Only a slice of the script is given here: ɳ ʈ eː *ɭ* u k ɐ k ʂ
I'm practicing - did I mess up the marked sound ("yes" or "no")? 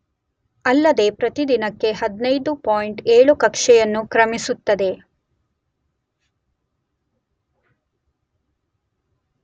no